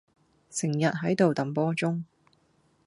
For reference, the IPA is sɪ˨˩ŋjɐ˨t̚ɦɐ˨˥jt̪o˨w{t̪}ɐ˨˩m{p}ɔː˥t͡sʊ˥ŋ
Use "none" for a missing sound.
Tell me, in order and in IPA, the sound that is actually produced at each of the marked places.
t̪, p

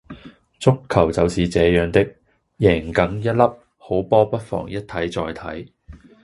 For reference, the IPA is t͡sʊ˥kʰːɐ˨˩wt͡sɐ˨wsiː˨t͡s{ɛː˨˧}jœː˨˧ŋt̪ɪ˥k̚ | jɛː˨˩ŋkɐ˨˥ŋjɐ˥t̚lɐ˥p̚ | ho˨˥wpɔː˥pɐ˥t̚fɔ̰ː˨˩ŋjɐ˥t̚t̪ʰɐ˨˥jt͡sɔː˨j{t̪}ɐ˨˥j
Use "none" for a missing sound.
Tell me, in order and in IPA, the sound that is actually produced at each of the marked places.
ɛː˨˧, t̪ʰ

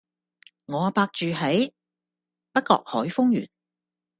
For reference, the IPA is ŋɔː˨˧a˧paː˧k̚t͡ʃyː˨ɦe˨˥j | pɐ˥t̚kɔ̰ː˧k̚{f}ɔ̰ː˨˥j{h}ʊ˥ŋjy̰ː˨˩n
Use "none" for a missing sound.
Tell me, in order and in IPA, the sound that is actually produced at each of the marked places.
h, f

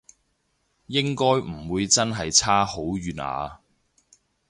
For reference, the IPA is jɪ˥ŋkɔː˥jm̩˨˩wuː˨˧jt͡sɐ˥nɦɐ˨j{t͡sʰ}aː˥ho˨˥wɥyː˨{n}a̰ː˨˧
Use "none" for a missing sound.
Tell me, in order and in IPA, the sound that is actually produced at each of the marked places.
t͡sʰ, n

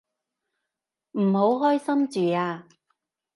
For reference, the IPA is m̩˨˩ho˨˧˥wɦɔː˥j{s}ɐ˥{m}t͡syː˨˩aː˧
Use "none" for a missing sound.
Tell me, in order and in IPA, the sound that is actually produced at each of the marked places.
s, m

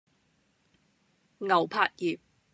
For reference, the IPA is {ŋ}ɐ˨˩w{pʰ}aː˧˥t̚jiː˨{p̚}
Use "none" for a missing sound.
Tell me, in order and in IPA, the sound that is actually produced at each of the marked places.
ŋ, pʰ, p̚

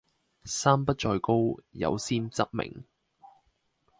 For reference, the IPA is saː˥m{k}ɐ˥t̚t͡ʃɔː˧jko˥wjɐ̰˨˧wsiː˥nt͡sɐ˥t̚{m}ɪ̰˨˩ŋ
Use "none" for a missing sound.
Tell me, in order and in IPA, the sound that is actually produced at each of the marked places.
p, m

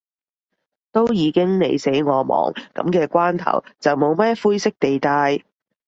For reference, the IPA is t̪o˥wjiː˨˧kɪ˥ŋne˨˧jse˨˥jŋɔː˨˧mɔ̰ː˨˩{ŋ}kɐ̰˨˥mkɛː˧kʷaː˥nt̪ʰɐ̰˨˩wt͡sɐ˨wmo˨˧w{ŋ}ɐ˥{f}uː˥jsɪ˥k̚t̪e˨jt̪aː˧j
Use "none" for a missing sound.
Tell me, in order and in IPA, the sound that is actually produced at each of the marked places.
ŋ, m, f

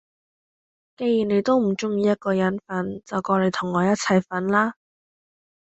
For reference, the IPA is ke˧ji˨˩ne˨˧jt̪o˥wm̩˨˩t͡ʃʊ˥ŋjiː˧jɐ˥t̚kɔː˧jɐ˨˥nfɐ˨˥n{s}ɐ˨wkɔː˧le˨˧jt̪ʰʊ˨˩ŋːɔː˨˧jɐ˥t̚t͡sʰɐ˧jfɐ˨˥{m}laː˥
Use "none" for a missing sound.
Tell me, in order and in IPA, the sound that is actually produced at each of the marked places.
t͡s, n

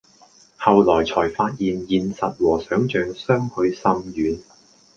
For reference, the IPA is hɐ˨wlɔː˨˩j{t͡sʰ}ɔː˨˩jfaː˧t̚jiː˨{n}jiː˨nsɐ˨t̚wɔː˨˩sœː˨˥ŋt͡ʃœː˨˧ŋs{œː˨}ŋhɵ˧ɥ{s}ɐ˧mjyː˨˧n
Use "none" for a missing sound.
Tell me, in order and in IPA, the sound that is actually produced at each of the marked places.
t͡sʰ, n, œː˥, s

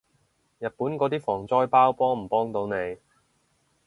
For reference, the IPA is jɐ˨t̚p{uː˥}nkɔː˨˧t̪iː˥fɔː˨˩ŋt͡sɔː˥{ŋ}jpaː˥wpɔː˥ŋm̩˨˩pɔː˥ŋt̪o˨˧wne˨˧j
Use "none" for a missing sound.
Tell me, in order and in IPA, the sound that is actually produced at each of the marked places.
uː˨˥, none

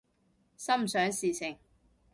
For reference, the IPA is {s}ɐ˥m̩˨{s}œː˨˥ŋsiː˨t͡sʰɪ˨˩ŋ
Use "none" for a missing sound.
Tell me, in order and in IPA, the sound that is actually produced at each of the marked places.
s, s

